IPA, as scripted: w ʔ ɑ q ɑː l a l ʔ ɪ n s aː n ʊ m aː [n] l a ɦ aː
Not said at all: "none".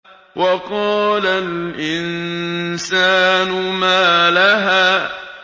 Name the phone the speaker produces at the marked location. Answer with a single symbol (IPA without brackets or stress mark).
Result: none